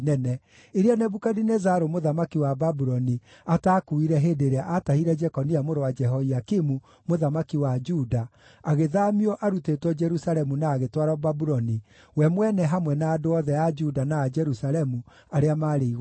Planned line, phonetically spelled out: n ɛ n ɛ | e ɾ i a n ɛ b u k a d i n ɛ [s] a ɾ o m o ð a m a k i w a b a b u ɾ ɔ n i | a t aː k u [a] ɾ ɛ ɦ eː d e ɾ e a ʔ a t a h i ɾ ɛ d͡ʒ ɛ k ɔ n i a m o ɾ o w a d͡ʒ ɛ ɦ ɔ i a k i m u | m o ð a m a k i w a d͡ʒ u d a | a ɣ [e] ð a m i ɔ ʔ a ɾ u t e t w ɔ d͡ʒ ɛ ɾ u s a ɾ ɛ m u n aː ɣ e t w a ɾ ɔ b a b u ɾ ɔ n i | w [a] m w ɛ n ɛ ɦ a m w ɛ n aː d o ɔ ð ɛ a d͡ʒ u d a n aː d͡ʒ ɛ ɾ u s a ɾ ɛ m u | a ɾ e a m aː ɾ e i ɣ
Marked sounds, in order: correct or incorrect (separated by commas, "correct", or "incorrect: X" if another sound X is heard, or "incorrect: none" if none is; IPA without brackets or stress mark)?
incorrect: z, incorrect: i, correct, incorrect: ɛ